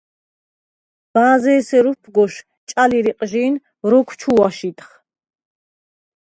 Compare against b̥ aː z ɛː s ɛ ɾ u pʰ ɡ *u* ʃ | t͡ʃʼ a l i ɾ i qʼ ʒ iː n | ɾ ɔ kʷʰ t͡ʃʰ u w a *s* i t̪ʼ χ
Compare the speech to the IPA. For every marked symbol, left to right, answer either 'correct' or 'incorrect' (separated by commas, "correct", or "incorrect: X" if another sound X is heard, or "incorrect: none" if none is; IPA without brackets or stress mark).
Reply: incorrect: ɔ, incorrect: ʃ